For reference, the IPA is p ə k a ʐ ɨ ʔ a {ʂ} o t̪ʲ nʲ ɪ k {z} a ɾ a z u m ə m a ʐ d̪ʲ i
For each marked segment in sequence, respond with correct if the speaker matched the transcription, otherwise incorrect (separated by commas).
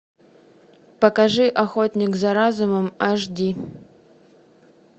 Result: incorrect, correct